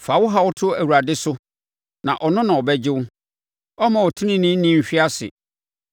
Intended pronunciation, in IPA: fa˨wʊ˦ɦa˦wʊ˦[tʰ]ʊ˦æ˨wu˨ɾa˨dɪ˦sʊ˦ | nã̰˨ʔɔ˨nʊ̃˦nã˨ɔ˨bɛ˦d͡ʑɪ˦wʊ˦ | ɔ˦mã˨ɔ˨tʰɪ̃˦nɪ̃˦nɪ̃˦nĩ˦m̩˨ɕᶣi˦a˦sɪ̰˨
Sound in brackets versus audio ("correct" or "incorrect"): correct